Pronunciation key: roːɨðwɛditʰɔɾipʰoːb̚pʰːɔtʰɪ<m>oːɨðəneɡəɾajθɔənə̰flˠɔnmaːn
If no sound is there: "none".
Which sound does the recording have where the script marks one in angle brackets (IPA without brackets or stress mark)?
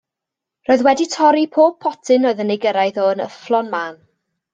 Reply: n